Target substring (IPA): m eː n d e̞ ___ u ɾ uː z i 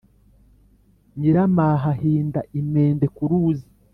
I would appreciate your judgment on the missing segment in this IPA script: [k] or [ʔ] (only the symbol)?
k